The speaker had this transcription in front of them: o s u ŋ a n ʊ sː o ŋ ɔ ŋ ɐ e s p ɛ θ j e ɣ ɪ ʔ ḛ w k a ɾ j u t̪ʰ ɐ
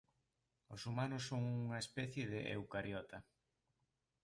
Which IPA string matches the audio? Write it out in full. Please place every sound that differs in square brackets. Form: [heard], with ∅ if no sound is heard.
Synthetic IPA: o s u [m] a n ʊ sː o ŋ [u] ŋ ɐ e s p ɛ θ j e [ð] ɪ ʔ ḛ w k a ɾ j [ɔ] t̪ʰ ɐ